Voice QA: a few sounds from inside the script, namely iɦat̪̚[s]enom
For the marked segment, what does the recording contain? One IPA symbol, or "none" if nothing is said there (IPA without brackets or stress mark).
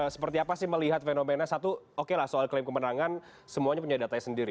f